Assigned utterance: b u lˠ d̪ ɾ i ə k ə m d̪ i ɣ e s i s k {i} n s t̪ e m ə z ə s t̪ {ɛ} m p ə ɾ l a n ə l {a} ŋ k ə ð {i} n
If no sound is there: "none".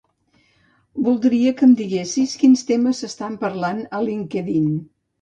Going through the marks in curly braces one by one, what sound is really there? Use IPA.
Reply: i, a, i, i

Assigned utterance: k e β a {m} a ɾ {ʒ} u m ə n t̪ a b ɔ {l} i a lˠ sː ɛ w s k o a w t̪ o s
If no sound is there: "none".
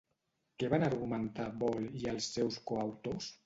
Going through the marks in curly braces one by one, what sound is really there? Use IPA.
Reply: n, ɣ, l

